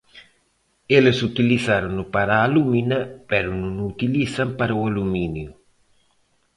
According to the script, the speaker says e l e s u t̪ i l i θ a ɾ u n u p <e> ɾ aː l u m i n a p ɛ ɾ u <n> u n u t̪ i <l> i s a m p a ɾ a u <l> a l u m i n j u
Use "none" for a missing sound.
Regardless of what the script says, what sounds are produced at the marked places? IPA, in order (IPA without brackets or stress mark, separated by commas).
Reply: a, n, l, none